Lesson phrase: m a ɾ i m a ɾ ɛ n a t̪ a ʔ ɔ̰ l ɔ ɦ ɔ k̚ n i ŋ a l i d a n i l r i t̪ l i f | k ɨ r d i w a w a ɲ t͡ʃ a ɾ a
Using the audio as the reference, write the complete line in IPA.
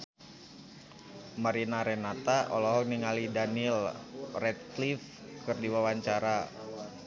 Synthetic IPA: m a ɾ i n a ɾ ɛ n a t̪ a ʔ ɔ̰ l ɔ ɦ ɔ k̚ n i ŋ a l i d a n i l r ɛ t̪ l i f | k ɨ r d i w a w a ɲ t͡ʃ a ɾ a